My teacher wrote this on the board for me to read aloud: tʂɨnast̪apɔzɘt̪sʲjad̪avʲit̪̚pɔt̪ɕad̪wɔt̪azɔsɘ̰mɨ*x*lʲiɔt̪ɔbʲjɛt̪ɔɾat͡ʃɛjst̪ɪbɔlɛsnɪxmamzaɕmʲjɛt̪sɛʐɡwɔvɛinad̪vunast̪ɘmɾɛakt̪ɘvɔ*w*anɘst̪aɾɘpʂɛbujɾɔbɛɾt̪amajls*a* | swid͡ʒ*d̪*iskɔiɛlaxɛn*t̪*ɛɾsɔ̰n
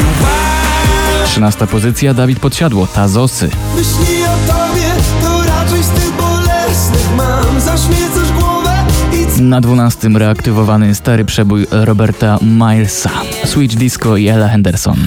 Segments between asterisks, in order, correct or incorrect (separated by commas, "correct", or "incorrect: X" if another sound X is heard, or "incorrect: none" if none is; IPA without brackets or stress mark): incorrect: ɕ, incorrect: v, correct, correct, incorrect: d̪